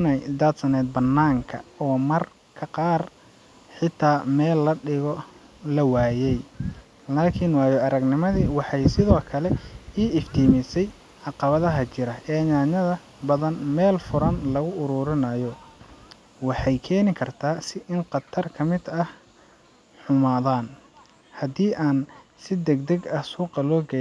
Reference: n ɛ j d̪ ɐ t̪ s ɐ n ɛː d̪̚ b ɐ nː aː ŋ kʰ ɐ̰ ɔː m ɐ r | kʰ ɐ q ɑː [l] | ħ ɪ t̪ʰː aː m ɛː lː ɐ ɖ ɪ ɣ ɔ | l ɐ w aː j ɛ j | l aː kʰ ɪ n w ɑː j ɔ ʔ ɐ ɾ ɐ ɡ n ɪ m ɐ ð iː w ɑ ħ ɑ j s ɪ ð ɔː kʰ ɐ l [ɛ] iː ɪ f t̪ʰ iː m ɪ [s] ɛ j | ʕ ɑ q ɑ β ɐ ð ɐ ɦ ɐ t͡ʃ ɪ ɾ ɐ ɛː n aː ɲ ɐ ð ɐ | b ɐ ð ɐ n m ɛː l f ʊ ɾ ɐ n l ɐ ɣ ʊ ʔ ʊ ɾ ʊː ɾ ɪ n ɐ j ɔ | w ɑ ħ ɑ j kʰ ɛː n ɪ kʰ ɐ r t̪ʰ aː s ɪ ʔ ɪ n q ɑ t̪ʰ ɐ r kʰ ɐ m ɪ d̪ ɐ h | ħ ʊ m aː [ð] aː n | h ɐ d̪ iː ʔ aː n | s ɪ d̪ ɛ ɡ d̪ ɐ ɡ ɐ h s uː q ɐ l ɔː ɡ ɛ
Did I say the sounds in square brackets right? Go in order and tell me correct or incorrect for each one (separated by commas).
incorrect, correct, correct, correct